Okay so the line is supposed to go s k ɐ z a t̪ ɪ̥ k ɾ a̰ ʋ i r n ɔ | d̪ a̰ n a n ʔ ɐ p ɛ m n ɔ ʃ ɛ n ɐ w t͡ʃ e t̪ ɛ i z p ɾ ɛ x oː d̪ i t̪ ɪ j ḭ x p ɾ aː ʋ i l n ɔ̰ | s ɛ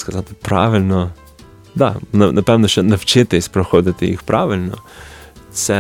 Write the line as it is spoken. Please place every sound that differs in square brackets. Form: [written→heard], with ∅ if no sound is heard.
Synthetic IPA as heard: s k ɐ z a t̪ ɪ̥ [k→p] ɾ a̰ ʋ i [r→l] n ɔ | d̪ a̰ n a n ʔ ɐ p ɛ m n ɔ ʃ ɛ n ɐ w t͡ʃ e t̪ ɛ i [z→s] p ɾ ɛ x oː d̪ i t̪ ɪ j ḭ x p ɾ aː ʋ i l n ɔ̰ | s ɛ